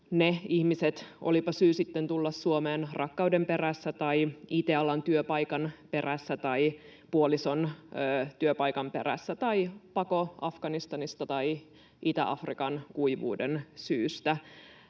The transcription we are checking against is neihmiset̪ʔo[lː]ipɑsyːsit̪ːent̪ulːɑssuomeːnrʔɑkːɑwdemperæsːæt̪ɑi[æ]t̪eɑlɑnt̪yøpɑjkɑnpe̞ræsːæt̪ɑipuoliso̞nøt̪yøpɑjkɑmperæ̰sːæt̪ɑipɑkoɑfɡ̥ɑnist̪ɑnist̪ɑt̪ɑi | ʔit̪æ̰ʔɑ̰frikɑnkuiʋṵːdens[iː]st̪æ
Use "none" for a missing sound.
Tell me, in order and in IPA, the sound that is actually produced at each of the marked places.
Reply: l, i, yː

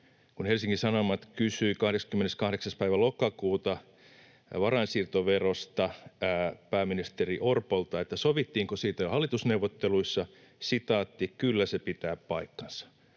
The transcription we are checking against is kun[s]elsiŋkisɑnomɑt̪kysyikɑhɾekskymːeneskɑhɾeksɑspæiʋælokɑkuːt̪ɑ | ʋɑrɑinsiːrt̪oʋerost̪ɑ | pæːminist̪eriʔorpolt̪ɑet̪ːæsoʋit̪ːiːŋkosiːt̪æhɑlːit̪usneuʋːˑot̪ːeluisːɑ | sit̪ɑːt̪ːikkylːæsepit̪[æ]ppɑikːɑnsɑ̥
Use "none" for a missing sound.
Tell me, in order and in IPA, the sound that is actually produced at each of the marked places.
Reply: h, æː

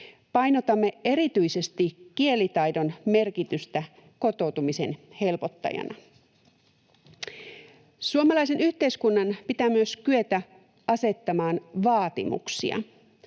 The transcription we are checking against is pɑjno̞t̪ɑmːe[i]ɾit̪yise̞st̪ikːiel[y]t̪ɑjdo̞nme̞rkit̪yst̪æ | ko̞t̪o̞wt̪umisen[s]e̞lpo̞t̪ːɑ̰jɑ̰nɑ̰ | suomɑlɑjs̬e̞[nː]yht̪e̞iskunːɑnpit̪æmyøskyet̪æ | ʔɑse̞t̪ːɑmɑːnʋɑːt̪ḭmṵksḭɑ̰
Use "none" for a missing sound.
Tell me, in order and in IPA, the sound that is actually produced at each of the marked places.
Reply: e, i, h, n

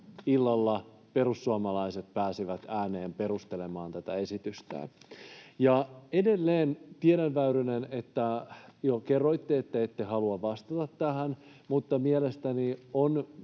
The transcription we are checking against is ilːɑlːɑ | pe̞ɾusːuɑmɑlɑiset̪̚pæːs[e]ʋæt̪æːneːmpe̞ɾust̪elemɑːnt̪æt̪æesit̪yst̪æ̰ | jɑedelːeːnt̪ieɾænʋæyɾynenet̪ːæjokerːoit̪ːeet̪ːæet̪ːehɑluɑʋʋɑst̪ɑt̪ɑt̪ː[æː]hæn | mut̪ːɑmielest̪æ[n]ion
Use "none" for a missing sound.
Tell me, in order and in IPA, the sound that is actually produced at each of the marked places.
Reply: i, æ, n

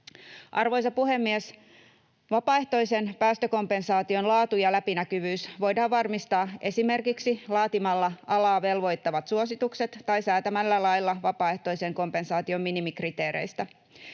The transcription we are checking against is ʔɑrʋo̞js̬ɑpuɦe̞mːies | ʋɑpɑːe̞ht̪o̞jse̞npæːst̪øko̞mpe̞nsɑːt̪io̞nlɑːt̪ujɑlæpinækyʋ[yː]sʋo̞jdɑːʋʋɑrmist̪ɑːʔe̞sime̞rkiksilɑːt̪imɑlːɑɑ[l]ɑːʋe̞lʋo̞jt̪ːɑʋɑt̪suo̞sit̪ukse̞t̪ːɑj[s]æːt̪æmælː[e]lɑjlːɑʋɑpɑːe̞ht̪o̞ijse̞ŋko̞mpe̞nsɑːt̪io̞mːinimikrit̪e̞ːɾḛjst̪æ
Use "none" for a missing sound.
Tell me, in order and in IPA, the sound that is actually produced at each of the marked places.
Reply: yː, l, s, æ

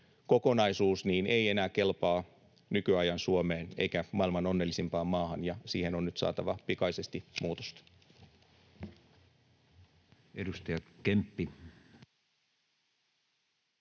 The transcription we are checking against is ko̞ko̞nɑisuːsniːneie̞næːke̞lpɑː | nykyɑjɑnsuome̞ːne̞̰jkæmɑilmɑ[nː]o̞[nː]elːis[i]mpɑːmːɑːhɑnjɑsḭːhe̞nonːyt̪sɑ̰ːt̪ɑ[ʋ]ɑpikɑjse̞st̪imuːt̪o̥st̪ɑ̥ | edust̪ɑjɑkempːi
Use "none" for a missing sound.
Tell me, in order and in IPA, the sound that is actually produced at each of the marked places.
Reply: n, nː, i, ʋ

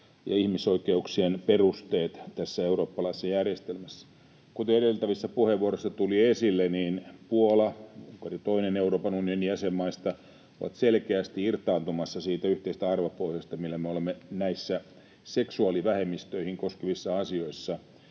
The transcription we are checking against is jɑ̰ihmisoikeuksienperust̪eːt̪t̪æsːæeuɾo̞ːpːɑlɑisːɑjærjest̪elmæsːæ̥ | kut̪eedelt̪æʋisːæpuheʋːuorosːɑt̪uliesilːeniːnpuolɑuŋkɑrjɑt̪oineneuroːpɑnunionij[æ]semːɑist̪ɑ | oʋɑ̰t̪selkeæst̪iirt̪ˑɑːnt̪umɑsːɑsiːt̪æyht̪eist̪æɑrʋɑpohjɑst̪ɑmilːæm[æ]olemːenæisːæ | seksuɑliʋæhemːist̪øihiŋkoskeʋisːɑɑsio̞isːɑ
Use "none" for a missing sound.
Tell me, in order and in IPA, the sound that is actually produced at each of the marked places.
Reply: æ, e

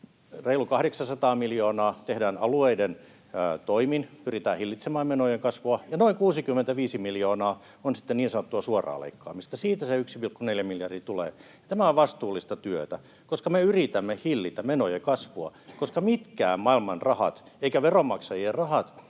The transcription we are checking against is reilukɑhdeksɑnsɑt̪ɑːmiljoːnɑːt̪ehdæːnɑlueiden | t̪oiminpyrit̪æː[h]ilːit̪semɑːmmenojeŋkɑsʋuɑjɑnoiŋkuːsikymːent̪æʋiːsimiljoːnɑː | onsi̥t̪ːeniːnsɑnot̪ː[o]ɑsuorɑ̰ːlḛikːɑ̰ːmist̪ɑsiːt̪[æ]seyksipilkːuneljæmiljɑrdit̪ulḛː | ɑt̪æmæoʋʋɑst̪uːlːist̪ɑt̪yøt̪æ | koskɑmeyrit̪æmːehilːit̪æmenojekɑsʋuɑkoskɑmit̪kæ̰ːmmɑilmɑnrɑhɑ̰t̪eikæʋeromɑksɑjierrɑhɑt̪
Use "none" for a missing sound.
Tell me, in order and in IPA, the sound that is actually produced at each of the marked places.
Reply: h, u, æ

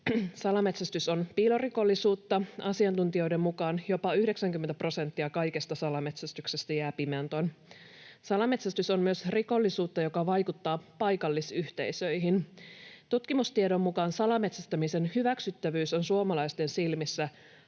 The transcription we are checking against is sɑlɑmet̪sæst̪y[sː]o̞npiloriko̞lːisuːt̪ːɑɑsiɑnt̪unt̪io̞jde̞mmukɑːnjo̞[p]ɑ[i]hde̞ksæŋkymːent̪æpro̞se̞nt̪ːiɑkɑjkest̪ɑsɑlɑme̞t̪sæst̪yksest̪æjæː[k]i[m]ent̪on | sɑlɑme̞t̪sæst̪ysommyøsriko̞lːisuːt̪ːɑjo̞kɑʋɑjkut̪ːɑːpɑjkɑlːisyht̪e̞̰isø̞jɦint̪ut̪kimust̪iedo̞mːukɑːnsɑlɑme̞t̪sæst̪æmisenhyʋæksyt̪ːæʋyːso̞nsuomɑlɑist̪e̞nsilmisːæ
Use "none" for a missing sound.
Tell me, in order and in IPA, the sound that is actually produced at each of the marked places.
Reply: s, p, y, p, m

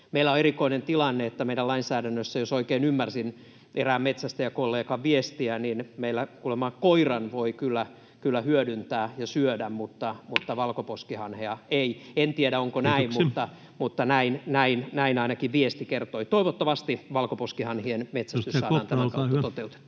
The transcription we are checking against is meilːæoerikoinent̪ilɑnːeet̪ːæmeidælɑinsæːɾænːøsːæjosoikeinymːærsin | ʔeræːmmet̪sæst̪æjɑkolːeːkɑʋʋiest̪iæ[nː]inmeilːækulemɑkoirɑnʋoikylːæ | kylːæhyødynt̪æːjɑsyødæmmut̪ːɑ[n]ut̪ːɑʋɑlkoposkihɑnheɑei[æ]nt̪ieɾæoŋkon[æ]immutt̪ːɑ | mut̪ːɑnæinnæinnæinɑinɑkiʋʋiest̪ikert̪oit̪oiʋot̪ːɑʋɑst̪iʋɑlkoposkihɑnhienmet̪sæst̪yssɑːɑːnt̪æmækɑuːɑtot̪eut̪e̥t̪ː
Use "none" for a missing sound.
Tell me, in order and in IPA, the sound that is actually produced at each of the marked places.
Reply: n, m, e, æ

